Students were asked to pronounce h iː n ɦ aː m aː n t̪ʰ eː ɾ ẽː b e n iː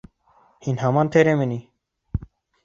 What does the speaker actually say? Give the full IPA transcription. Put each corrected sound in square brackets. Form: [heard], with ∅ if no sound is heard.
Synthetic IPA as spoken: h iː n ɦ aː m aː n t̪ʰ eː ɾ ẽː [m] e n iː